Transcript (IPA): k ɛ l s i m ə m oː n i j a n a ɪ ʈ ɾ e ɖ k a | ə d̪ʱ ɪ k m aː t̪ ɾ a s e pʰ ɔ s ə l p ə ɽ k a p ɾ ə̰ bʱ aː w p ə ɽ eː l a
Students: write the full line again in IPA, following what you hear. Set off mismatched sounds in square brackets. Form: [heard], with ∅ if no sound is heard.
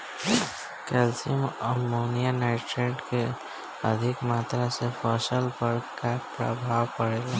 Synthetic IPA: k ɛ l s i m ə m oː n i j a n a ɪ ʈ ɾ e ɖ k [e] | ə d̪ʱ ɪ k m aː t̪ ɾ a s e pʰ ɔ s ə l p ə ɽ k a p ɾ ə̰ bʱ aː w p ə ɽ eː l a